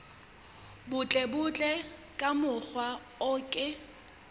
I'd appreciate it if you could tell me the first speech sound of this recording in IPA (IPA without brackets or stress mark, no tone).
b